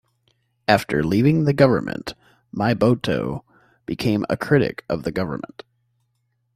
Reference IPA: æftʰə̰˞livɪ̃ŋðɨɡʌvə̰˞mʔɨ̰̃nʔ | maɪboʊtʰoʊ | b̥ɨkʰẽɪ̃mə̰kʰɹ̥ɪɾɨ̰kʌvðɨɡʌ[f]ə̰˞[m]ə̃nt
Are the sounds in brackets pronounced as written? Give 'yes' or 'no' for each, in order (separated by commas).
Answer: no, yes